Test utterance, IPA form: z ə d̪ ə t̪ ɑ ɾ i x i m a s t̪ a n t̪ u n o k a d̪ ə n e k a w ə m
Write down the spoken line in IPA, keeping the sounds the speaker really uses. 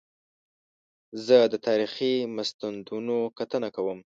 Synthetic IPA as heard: z ə d̪ ə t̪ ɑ ɾ i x i m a s t̪ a n d̪ u n o k a t̪ ə n a k a w ə m